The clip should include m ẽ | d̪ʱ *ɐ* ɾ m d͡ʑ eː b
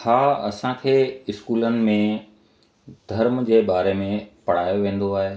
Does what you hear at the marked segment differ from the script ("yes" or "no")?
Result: no